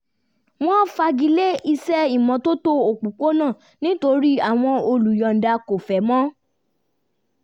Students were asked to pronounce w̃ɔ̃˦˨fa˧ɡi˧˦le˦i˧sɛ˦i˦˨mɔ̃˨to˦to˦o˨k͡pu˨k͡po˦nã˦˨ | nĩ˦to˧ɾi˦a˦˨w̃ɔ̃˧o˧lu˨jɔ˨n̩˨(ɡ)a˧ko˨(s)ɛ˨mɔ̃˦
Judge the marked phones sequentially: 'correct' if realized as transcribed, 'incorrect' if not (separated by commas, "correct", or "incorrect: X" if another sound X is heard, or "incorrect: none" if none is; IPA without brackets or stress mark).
incorrect: d, incorrect: f